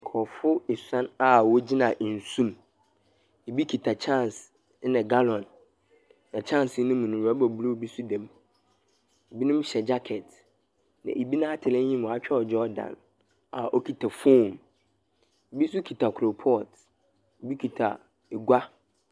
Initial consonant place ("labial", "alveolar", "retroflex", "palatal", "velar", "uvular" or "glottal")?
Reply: velar